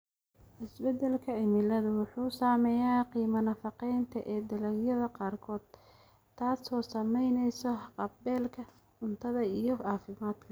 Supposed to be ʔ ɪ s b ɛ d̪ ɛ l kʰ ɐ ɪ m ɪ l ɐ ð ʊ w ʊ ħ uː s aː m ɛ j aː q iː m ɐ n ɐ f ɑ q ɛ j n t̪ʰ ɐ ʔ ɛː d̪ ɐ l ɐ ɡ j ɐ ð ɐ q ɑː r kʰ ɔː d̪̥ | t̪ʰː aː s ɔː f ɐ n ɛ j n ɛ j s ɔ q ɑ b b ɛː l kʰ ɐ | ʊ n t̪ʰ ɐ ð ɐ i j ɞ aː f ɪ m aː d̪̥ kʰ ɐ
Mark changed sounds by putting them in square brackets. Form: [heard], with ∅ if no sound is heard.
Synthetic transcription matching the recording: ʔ ɪ s b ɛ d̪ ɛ l kʰ ɐ ɪ m ɪ l ɐ ð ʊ w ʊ ħ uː s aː m ɛ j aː q iː m ɐ n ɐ f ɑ q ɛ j n t̪ʰ ɐ ʔ ɛː d̪ ɐ l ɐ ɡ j ɐ ð ɐ q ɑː r kʰ ɔː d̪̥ | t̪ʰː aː s ɔː [s] ɐ [m] ɛ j n ɛ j s ɔ q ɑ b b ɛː l kʰ ɐ | ʊ n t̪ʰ ɐ ð ɐ i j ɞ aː f ɪ m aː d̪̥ kʰ ɐ